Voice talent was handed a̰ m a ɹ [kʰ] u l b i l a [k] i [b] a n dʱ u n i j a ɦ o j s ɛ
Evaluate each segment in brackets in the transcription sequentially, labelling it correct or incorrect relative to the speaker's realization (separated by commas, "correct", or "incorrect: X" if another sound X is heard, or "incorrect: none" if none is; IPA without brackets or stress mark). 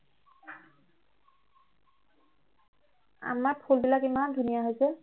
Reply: incorrect: pʰ, correct, incorrect: m